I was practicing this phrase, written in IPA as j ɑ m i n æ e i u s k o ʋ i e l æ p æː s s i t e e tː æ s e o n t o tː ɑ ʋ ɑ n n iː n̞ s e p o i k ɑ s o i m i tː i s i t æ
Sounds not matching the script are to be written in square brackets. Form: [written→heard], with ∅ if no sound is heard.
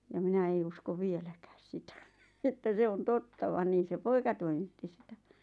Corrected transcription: j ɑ m i n æ e i u s k o ʋ i e l æ [p→k] æː s s i t [e→æ] e tː æ s e o n t o tː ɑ ʋ ɑ n n iː n̞ s e p o i k ɑ [s→t] o i m i tː i s i t æ